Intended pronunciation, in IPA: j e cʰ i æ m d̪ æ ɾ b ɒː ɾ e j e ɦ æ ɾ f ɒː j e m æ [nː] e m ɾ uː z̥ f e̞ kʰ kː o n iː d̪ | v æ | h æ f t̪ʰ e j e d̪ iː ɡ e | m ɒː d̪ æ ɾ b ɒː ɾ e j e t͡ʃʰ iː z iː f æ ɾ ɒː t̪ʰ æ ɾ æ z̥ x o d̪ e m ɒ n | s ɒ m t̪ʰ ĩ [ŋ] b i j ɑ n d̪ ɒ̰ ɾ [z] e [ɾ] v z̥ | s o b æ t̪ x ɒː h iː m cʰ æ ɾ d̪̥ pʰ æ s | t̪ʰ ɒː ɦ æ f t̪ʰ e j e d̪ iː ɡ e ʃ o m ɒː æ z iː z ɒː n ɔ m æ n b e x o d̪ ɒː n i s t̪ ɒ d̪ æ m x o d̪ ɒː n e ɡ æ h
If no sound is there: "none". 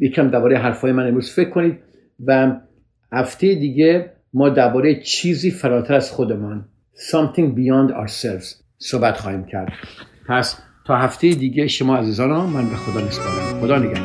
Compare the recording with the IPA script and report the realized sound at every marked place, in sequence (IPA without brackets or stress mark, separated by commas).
n, ŋ, s, l